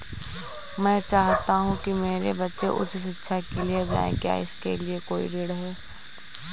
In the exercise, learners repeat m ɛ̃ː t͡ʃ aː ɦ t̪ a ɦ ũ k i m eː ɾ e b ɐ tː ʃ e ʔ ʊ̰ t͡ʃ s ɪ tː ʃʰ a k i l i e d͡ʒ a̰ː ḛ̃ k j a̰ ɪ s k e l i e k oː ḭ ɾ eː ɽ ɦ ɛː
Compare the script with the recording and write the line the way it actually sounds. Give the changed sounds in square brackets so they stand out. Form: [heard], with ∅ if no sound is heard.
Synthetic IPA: m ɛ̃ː t͡ʃ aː ɦ t̪ a ɦ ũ k i m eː ɾ e b ɐ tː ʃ e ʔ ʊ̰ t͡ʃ s ɪ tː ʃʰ a k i l i e d͡ʒ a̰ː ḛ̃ k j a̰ ɪ s k e l i e k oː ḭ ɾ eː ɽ ɦ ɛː